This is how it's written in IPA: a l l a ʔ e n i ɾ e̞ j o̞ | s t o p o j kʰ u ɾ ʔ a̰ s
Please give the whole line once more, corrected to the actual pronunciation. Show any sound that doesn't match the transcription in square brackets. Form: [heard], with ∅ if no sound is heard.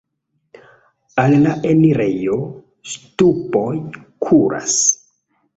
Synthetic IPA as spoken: a l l a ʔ e n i ɾ e̞ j o̞ | s t [u] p o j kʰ u ɾ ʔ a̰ s